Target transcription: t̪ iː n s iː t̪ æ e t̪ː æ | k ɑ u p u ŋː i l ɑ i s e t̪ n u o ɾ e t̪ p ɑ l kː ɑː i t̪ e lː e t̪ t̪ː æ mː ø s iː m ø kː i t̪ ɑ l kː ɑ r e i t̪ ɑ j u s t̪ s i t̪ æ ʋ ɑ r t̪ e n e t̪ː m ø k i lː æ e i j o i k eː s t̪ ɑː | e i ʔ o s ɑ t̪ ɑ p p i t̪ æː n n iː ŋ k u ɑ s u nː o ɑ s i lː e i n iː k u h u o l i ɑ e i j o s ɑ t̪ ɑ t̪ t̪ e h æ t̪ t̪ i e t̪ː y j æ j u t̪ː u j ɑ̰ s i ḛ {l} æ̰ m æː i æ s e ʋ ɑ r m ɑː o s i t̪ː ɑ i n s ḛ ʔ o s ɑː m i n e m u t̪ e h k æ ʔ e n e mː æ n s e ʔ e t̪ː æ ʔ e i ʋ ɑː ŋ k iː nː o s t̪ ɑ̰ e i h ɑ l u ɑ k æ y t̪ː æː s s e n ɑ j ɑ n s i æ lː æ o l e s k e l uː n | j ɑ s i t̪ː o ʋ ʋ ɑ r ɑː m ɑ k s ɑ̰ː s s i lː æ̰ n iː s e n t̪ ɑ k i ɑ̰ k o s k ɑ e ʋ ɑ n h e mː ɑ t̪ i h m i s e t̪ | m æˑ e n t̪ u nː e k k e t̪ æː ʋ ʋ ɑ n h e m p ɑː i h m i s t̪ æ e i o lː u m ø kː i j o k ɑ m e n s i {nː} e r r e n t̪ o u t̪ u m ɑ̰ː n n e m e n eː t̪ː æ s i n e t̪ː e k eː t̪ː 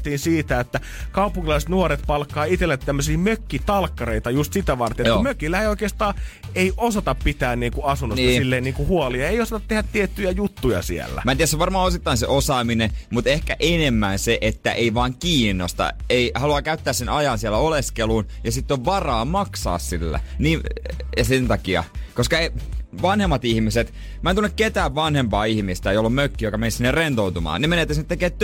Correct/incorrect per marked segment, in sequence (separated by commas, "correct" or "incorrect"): incorrect, correct